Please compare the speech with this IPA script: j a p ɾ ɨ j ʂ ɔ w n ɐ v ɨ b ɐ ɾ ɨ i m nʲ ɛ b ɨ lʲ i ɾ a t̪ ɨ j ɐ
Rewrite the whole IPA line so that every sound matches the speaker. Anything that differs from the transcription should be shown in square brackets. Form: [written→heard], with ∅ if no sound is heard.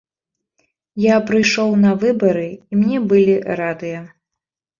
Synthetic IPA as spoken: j a p ɾ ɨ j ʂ ɔ w n ɐ v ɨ b ɐ ɾ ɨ i m nʲ ɛ b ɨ lʲ i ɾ a [t̪→d̪] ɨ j ɐ